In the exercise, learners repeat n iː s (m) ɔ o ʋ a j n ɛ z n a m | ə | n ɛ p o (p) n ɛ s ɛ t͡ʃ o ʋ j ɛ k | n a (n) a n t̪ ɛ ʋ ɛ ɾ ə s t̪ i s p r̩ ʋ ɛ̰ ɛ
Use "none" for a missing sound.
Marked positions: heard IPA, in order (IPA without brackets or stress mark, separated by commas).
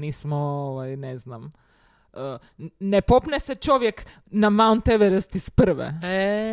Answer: m, p, m